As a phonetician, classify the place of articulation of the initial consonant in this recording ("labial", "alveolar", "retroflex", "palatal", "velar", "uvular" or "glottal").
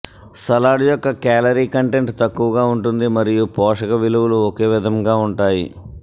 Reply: alveolar